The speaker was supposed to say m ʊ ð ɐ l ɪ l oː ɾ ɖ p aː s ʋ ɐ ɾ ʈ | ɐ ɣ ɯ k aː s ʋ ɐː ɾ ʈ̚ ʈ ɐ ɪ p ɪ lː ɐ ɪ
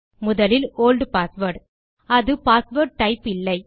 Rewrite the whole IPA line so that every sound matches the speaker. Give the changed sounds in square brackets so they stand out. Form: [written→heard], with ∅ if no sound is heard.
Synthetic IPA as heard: m ʊ ð ɐ l ɪ l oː [ɾ→l] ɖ p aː s ʋ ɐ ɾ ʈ | ɐ [ɣ→ð] ɯ [k→p] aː s ʋ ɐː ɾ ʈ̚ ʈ ɐ ɪ p ɪ lː ɐ ɪ